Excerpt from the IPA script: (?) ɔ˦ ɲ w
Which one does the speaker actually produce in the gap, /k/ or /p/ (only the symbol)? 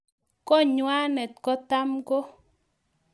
k